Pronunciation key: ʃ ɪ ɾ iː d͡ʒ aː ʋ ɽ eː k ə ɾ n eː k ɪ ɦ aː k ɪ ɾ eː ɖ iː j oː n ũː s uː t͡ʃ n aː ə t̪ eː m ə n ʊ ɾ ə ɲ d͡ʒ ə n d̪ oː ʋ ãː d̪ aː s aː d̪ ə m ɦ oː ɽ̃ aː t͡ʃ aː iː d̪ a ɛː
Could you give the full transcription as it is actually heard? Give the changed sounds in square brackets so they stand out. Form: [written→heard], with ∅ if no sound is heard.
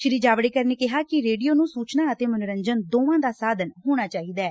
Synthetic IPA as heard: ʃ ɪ ɾ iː d͡ʒ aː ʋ ɽ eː k ə ɾ n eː k ɪ ɦ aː k ɪ ɾ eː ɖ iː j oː n ũː s uː t͡ʃ n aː ə t̪ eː m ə n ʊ ɾ ə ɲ d͡ʒ ə n d̪ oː ʋ ãː d̪ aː s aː d̪ ə [m→n] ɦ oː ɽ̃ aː t͡ʃ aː iː d̪ a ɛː